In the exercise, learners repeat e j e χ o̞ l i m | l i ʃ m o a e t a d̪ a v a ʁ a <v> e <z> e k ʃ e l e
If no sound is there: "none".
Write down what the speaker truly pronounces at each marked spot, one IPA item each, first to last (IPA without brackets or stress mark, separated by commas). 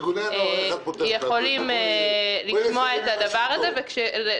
z, v